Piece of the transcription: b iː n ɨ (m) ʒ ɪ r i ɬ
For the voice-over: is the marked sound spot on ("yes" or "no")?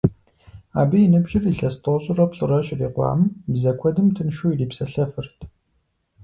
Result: no